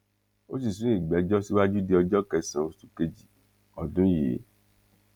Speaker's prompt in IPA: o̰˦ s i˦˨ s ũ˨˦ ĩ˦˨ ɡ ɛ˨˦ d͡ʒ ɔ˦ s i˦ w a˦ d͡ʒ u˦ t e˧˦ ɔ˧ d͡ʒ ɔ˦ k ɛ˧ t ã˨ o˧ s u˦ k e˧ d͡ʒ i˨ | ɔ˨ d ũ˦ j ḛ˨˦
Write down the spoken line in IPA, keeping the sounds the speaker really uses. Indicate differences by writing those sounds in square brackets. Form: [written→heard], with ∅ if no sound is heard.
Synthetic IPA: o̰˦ s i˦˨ s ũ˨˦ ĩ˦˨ [ɡ→ɡ͡b] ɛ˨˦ d͡ʒ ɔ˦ s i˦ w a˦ d͡ʒ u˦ [t→d] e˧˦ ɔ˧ d͡ʒ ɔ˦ k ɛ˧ [t→s] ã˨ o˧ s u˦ k e˧ d͡ʒ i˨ | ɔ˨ d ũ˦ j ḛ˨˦